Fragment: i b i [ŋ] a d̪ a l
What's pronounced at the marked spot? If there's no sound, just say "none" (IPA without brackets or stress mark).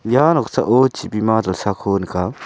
m